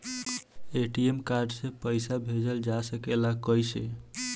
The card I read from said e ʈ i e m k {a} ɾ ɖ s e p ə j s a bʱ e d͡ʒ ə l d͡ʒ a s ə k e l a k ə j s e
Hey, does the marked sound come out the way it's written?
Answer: yes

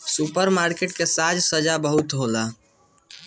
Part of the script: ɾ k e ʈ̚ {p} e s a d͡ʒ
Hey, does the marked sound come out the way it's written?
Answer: no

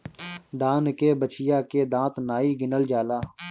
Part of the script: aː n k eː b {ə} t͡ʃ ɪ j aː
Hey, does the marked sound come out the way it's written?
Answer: yes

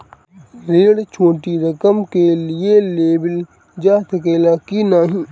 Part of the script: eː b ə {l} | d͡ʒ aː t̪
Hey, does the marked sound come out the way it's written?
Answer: yes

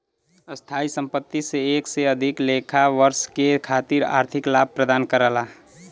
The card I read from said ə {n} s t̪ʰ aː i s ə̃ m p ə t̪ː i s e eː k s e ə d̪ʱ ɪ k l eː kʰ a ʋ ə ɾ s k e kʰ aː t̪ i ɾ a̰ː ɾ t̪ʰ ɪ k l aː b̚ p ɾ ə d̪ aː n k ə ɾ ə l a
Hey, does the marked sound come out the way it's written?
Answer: no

